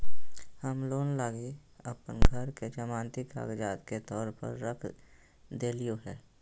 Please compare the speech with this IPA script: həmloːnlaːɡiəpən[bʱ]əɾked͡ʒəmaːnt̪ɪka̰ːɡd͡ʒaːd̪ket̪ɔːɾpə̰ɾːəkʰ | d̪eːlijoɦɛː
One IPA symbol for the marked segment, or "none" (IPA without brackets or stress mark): ɡʱ